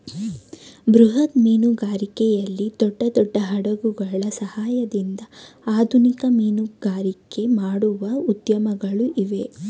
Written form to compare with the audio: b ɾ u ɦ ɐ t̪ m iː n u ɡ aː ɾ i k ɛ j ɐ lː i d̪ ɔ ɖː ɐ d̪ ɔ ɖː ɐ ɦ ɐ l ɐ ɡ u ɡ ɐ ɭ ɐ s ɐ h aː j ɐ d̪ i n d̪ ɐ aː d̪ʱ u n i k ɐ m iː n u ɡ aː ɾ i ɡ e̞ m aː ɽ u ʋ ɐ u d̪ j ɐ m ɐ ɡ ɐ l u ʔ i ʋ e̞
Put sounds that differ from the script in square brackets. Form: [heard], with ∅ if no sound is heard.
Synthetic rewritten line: b ɾ u ɦ ɐ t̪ m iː n u ɡ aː ɾ i k ɛ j ɐ lː i d̪ ɔ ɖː ɐ d̪ ɔ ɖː ɐ ɦ ɐ [ɽ] ɐ ɡ u ɡ ɐ ɭ ɐ s ɐ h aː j ɐ d̪ i n d̪ ɐ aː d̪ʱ u n i k ɐ m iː n u ɡ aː ɾ i [k] e̞ m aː ɽ u ʋ ɐ u d̪ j ɐ m ɐ ɡ ɐ [ɭ] u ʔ i ʋ e̞